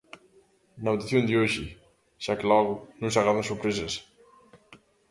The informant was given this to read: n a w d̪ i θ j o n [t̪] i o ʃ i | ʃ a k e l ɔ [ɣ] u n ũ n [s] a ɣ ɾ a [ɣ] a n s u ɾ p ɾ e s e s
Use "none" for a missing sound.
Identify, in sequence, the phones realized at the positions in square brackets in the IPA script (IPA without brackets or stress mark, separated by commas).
d̪, ɣ, s, ð